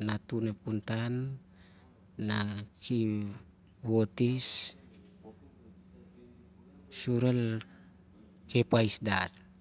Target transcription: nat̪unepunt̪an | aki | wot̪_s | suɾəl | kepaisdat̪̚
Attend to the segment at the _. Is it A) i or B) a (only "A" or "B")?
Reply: A